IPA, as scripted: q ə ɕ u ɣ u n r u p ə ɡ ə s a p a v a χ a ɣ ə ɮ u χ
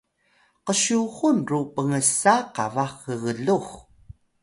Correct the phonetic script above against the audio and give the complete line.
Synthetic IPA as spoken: q ə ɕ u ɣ u n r u p ə ŋ ə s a q a v a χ ə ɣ ə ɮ u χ